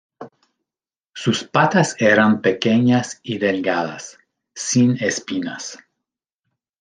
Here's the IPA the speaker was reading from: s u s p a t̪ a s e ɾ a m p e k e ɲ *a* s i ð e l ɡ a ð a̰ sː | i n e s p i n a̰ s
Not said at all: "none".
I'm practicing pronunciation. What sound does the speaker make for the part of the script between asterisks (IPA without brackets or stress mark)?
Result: a